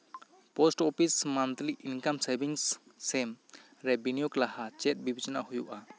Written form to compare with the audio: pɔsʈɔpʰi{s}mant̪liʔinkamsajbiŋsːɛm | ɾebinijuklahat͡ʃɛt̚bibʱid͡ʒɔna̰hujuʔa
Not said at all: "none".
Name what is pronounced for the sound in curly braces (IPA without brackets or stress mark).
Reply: s